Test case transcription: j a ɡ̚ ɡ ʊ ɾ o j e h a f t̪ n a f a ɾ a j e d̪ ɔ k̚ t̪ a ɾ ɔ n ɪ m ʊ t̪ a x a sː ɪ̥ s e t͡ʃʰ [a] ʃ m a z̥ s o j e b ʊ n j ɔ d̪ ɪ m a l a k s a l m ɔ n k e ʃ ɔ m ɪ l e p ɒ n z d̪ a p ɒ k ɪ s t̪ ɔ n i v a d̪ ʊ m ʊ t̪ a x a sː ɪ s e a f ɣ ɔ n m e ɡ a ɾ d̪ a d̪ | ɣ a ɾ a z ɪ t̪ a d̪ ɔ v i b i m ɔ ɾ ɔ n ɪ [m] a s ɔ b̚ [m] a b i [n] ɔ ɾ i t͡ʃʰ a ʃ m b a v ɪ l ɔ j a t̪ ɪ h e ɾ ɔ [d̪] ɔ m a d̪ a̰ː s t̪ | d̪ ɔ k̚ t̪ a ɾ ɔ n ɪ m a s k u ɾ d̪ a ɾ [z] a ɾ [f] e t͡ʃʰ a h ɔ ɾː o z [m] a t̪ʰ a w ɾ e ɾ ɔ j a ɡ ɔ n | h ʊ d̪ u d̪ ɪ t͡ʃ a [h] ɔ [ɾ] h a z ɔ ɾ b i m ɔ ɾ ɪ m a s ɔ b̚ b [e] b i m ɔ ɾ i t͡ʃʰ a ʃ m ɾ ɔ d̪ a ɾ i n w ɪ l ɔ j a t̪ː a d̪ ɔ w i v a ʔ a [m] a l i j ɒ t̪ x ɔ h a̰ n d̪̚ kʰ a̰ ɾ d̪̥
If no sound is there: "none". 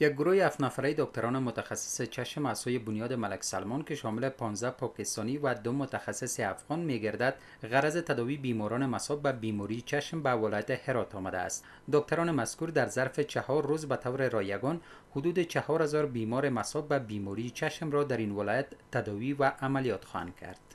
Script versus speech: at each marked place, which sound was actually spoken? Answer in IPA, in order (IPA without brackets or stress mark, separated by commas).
a, m, b, m, t̪, z, f, b, h, ɾ, a, m